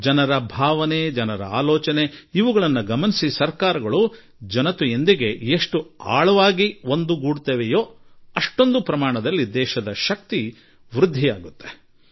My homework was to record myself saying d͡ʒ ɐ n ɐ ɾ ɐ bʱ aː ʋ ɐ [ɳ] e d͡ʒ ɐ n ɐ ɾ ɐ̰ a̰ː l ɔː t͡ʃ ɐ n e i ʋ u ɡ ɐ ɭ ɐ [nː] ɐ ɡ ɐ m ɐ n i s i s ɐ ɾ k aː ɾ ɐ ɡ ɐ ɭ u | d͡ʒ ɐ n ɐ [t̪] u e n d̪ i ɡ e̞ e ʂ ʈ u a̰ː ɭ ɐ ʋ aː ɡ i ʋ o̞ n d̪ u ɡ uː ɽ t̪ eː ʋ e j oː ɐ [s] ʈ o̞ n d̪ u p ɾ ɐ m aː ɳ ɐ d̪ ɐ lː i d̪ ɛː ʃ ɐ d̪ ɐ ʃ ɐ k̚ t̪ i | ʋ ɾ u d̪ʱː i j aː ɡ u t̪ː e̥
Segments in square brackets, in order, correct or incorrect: incorrect: n, correct, correct, incorrect: ʂ

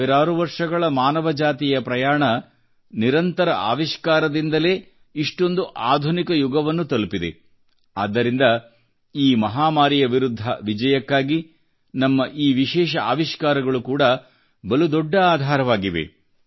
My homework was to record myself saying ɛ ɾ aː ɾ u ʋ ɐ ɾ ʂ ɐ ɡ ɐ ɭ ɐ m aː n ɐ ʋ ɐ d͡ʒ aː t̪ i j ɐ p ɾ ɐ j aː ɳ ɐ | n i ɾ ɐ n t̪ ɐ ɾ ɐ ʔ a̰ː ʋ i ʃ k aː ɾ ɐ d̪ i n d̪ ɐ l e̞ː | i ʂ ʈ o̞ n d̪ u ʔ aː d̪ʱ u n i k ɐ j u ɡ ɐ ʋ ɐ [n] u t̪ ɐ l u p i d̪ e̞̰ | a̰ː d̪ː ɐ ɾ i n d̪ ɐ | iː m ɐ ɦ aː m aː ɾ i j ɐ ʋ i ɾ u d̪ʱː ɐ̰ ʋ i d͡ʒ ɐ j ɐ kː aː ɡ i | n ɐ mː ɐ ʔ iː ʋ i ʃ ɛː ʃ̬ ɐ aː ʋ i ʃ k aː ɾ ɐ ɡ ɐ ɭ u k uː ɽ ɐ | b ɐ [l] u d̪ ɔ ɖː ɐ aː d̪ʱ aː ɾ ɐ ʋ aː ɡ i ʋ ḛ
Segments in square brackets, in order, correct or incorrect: incorrect: nː, correct

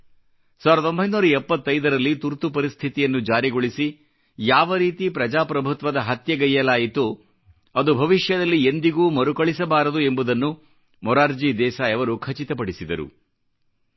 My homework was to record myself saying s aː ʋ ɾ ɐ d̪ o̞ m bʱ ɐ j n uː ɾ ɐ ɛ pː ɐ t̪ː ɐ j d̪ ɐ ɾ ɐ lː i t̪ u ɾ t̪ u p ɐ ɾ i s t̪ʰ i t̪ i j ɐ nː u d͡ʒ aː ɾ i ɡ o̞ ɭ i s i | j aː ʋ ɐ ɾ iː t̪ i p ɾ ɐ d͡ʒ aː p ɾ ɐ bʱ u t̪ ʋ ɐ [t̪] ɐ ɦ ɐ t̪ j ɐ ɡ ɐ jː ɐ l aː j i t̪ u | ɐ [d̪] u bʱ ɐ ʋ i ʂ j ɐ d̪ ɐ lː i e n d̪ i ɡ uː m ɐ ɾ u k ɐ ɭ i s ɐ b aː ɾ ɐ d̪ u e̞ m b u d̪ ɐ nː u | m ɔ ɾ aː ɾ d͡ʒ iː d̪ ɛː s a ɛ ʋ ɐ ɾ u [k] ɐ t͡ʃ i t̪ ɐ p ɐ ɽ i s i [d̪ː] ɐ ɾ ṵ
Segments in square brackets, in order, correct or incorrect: incorrect: d̪, correct, incorrect: kʰ, incorrect: d̪

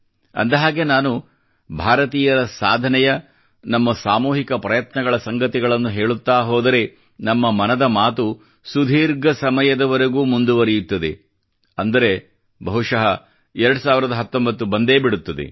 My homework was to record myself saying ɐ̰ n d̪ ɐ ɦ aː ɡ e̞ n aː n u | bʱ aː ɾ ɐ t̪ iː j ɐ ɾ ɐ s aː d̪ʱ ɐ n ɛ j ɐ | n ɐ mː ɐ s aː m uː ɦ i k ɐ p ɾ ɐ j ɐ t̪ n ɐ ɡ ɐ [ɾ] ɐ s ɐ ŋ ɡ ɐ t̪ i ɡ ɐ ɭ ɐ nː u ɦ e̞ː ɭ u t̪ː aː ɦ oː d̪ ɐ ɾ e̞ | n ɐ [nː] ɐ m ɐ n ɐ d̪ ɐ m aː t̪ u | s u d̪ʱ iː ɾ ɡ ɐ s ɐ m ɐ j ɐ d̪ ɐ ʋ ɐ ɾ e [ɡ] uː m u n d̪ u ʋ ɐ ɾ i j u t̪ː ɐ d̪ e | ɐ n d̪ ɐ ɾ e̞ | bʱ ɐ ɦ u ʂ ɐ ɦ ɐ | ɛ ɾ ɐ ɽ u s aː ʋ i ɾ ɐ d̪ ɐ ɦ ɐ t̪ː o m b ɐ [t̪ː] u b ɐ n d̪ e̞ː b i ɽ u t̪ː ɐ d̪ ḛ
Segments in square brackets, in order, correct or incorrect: incorrect: ɭ, incorrect: mː, correct, correct

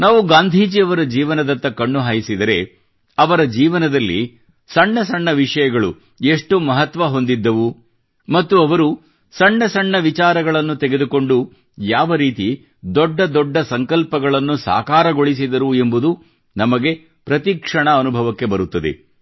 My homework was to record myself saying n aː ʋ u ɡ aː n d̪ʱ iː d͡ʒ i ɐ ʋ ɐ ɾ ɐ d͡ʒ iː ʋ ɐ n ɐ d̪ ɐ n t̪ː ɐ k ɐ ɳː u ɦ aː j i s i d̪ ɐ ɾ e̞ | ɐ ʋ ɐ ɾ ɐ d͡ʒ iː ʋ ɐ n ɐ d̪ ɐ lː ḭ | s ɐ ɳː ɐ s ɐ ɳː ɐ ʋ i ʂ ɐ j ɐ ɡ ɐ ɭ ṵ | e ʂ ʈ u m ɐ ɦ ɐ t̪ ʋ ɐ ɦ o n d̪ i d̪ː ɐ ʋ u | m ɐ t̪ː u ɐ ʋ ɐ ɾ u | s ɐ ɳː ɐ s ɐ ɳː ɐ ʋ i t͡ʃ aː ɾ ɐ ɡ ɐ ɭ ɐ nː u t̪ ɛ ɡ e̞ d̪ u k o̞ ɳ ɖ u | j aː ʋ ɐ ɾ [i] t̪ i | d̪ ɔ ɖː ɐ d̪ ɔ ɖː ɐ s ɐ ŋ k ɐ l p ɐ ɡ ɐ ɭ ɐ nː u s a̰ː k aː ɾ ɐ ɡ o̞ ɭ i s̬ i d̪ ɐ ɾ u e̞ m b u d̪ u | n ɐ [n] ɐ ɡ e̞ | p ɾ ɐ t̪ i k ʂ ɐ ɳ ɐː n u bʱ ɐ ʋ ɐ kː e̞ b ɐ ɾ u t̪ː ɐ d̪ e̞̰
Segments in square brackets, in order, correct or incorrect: incorrect: iː, incorrect: m

